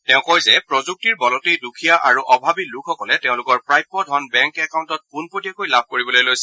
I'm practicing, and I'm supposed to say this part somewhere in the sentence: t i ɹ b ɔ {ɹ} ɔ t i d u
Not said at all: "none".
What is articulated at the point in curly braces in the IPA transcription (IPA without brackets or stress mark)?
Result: l